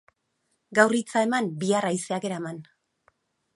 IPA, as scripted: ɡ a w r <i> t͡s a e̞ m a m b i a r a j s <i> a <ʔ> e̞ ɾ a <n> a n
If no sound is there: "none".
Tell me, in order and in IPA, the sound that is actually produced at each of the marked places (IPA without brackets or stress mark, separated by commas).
i, e, k, m